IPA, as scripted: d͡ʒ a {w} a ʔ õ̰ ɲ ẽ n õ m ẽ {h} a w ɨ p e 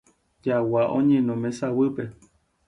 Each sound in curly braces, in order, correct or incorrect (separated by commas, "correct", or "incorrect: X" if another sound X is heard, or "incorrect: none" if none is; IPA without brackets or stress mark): correct, incorrect: s